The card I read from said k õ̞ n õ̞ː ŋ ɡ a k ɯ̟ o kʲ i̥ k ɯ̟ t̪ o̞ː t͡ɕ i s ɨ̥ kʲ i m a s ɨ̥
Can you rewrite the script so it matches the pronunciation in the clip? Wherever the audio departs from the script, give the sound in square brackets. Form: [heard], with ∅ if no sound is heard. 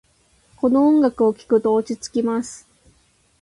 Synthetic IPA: k [o̞] n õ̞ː ŋ ɡ a k ɯ̟ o kʲ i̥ k ɯ̟ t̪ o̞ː t͡ɕ i [t͡s] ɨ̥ kʲ i m a s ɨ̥